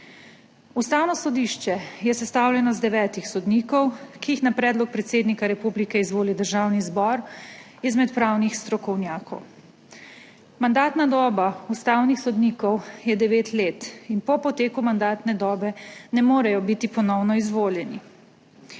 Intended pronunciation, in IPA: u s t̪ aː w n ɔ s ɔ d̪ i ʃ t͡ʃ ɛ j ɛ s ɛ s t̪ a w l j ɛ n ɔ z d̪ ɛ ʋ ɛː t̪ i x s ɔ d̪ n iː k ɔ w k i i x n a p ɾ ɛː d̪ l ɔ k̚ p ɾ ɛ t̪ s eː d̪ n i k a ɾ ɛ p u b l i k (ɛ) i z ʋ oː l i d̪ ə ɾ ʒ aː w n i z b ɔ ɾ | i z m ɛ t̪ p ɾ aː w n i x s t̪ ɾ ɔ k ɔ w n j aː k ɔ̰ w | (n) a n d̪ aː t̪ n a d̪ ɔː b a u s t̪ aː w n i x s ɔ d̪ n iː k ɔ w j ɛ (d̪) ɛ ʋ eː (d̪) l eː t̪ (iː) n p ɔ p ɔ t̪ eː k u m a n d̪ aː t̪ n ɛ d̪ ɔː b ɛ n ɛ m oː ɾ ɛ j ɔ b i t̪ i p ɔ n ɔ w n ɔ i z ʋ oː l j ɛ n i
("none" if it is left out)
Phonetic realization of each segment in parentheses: ɛ, m, d̪, t̪, i

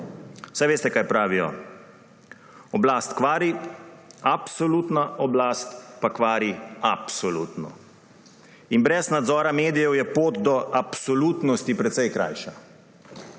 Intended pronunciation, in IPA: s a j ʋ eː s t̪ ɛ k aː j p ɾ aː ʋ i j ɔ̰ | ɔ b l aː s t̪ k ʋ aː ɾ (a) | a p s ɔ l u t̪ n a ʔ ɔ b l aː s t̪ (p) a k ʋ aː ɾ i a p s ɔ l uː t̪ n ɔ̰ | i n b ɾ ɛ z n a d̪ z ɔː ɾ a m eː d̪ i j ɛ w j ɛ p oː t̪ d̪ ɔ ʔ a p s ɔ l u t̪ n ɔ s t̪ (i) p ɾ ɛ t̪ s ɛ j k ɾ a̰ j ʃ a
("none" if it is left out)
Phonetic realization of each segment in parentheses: i, p, i

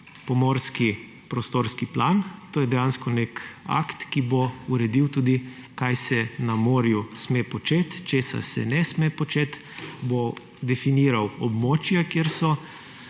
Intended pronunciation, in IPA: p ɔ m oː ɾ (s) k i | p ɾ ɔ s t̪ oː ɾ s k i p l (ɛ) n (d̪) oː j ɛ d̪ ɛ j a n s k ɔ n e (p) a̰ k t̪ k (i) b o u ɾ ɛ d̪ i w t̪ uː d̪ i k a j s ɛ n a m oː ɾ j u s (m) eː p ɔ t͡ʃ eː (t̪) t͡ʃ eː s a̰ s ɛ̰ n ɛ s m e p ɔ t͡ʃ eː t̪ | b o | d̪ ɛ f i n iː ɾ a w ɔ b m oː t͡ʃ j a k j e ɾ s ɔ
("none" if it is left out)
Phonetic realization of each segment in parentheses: s, a, t̪, k, i, m, t̪

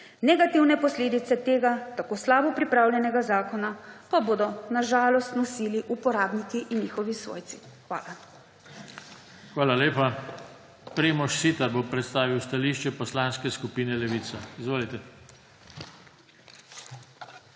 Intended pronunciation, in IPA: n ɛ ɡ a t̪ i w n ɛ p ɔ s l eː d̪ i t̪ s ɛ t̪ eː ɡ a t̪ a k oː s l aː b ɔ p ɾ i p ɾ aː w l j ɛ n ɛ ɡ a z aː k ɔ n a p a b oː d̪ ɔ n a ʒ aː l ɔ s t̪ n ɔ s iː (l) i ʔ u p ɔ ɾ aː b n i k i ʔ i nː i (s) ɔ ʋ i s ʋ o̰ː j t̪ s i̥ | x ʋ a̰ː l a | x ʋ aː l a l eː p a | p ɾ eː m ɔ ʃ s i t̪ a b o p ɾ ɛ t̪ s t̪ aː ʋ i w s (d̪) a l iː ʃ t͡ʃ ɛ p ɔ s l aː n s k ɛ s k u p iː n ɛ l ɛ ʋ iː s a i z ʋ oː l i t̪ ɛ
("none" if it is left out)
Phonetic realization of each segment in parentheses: l, x, t̪

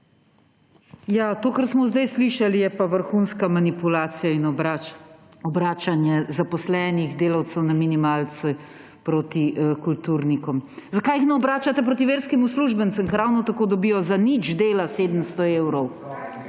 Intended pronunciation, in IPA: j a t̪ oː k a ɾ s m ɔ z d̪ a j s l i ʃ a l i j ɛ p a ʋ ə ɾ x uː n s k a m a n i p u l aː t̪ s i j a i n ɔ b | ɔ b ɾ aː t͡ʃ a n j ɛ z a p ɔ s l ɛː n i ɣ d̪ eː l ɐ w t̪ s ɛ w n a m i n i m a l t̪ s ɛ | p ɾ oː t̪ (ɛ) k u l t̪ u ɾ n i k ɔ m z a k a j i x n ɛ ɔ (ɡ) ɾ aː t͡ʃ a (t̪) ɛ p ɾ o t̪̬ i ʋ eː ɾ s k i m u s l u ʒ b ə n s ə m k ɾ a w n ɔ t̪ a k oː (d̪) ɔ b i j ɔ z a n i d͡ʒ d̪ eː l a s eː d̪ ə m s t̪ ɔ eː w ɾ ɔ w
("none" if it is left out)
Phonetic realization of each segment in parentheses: i, b, t̪, d̪

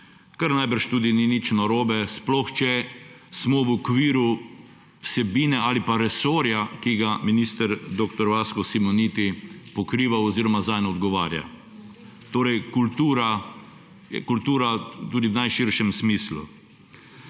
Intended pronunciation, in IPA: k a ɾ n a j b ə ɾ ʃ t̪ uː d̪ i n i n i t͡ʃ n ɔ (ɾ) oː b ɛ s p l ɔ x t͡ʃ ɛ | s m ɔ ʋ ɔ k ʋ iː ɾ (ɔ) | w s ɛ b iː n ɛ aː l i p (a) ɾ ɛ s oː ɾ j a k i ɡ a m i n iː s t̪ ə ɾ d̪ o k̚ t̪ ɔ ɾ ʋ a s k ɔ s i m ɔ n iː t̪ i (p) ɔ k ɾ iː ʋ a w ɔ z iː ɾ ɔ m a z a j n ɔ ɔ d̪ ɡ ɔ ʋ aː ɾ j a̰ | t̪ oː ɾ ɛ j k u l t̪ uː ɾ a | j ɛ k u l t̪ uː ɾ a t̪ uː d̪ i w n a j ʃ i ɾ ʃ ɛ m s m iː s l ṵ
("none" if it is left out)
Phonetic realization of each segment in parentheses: ɾ, u, a, p

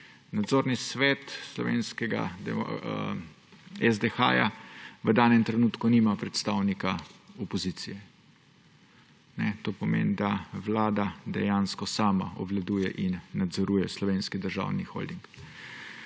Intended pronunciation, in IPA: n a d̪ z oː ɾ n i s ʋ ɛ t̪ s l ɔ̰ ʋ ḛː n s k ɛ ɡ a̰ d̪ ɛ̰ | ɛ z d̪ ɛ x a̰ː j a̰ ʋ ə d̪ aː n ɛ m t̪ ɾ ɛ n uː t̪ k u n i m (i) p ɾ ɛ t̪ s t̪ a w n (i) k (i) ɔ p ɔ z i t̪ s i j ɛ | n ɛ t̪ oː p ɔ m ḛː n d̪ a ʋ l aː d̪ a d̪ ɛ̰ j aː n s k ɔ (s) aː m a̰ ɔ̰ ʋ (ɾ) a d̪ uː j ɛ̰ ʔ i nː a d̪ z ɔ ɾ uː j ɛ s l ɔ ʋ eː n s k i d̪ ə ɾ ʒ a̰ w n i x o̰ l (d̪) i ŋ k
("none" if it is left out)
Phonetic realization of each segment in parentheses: a, i, a, s, l, d̪

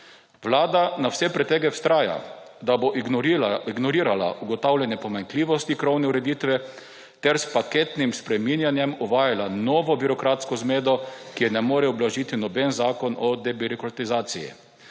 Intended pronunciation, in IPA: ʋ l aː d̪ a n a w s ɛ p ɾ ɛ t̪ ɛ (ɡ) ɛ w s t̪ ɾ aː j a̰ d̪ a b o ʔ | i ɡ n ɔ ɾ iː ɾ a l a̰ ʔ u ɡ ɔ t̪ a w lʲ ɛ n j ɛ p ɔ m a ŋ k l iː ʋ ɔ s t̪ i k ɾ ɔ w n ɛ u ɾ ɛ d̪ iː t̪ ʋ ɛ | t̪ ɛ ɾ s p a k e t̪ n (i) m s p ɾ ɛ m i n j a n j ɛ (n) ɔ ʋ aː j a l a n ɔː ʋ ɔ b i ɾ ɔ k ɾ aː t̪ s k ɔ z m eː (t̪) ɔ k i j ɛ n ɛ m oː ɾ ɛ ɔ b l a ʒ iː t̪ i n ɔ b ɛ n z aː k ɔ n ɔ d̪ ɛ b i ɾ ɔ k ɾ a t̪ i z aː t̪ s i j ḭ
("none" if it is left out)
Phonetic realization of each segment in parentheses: ɡ, i, m, d̪

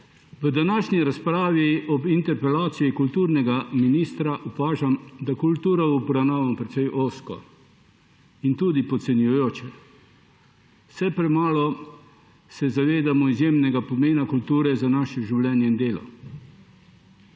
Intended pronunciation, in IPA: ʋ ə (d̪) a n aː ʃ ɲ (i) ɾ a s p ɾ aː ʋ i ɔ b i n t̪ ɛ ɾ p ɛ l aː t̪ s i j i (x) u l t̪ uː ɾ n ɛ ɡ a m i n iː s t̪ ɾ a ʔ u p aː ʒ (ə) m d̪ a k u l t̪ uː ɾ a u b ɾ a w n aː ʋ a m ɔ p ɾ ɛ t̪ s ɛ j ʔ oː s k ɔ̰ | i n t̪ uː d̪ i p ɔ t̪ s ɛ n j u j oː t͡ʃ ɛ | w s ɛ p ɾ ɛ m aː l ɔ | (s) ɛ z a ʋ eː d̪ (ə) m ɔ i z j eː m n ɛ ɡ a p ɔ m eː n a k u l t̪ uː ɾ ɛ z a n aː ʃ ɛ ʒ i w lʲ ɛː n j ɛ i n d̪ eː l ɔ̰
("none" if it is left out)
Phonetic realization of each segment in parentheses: d̪, i, k, a, s, a

